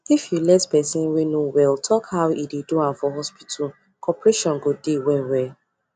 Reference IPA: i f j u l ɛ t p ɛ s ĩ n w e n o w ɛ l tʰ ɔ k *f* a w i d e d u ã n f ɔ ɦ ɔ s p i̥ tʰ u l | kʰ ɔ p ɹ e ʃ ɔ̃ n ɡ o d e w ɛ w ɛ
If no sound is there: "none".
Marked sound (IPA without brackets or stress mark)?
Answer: h